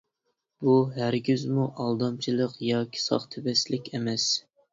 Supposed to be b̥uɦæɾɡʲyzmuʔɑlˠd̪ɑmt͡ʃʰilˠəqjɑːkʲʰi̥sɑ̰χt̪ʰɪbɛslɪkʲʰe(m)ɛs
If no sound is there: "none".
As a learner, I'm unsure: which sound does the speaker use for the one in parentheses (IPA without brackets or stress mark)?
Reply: m